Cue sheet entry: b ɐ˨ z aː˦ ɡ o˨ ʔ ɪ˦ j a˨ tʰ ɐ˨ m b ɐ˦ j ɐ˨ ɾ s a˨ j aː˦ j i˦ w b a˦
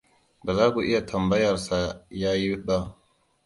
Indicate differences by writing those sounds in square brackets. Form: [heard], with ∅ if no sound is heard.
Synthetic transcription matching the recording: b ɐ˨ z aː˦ ɡ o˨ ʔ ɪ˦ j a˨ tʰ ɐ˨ m b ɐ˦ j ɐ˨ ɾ s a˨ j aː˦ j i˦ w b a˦